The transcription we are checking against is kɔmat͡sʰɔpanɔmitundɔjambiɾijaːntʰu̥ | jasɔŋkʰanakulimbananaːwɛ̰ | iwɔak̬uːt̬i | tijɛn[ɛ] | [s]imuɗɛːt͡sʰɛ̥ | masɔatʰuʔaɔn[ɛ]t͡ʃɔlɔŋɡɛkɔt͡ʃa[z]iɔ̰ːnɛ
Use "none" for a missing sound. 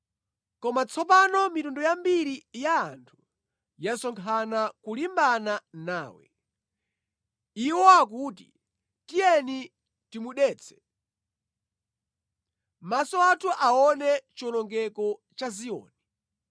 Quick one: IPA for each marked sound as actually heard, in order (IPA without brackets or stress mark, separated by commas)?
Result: i, t, ɛ, z